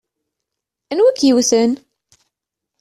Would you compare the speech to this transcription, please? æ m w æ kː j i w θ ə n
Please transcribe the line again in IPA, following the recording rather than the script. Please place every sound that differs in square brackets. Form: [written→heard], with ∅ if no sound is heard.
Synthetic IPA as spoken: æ [m→n] w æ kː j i w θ ə n